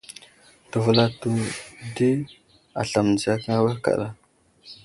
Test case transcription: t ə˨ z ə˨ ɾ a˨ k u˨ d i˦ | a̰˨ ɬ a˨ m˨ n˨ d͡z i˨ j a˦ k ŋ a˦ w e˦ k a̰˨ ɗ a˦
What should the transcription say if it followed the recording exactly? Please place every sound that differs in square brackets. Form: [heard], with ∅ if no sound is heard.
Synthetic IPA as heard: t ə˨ [v] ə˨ [l] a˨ [t] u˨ d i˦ | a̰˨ ɬ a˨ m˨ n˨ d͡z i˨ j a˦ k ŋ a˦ w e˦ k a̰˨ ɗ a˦